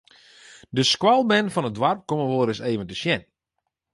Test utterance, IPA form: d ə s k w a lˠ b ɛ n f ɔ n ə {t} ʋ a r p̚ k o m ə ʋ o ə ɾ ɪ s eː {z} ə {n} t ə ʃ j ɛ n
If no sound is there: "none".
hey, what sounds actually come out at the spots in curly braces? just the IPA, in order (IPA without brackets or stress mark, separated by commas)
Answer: d, v, n